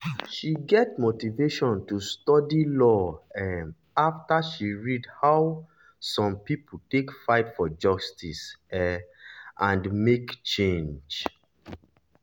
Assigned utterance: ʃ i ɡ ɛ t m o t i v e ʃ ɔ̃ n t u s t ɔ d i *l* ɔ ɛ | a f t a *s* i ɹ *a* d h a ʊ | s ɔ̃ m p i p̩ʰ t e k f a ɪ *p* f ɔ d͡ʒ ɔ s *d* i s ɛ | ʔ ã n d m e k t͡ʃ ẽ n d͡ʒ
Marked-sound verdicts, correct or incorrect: correct, incorrect, incorrect, incorrect, incorrect

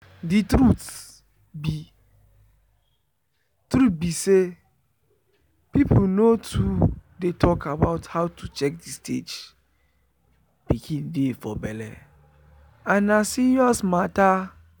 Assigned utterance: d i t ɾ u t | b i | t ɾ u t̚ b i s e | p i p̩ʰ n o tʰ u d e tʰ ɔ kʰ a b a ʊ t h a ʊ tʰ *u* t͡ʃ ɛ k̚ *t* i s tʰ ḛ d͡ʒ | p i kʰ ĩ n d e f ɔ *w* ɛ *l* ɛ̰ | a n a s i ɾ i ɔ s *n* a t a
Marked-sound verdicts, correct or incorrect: correct, incorrect, incorrect, correct, incorrect

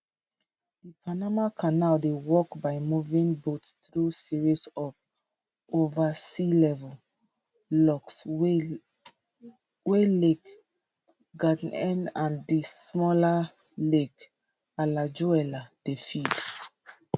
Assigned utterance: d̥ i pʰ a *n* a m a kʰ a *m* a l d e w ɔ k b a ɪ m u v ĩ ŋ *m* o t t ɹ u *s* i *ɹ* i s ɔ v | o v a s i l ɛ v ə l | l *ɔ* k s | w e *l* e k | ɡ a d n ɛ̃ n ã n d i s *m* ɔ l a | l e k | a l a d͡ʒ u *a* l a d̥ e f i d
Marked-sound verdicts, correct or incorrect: correct, incorrect, incorrect, correct, correct, correct, correct, correct, incorrect

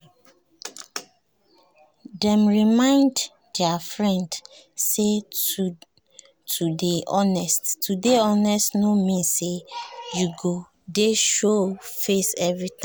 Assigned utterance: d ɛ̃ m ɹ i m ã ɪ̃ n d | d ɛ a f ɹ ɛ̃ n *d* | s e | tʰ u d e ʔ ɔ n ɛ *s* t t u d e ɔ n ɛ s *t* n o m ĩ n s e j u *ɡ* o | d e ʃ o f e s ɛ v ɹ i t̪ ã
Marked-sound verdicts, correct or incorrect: correct, correct, correct, correct

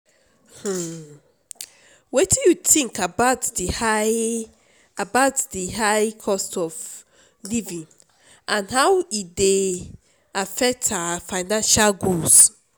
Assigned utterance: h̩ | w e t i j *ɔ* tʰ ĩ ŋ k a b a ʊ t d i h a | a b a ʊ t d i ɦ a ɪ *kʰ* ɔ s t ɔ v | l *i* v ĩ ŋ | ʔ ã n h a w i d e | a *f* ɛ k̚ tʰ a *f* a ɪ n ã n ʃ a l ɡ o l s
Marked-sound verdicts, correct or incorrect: incorrect, correct, correct, correct, correct

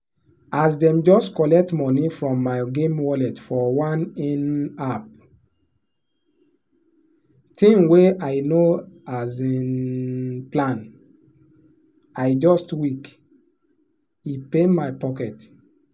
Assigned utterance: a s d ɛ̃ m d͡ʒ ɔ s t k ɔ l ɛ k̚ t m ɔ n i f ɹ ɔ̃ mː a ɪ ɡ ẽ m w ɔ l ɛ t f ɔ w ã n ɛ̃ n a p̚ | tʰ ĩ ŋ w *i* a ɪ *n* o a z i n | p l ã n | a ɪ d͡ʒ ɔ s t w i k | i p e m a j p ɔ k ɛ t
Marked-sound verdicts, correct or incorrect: incorrect, correct

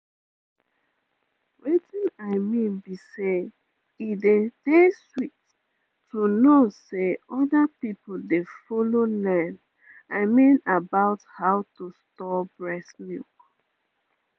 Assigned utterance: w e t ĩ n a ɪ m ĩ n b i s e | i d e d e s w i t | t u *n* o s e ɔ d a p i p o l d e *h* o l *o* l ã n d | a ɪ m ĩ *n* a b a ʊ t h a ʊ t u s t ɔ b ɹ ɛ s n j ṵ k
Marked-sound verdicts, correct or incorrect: correct, incorrect, correct, correct

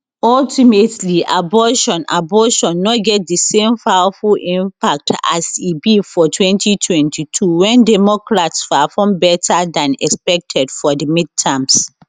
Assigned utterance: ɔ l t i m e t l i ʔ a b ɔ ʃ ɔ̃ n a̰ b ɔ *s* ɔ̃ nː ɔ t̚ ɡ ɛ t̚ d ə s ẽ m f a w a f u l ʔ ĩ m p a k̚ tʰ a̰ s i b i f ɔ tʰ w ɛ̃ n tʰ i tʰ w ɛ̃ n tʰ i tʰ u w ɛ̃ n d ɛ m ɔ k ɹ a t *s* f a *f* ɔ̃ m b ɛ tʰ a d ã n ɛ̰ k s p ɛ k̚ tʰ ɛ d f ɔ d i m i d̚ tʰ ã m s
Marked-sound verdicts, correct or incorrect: incorrect, correct, correct

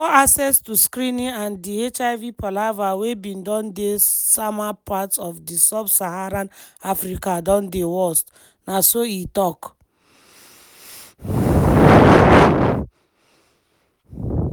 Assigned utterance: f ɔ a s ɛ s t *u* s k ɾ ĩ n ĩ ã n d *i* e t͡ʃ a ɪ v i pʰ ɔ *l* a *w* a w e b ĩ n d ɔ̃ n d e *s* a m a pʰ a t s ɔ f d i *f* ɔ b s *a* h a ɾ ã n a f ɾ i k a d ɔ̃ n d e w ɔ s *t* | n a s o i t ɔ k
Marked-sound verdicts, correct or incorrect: correct, correct, correct, incorrect, correct, incorrect, correct, correct

